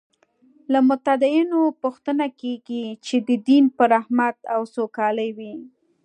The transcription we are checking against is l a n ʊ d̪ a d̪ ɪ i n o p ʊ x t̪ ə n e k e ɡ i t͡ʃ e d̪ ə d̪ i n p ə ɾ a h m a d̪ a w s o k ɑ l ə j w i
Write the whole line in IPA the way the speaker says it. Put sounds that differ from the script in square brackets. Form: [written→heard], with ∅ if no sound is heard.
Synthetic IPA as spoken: l a [n→m] ʊ [d̪→t̪] a d̪ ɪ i n o p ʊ x t̪ ə n [e→a] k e ɡ i t͡ʃ e d̪ ə d̪ i n p ə ɾ a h m a [d̪→t̪] a w s o k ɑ l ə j w i